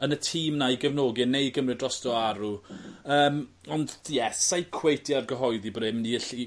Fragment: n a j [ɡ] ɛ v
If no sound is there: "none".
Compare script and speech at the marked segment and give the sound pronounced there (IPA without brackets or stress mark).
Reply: ɡ